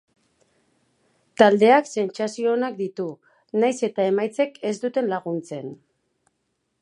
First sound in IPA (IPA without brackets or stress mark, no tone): t̪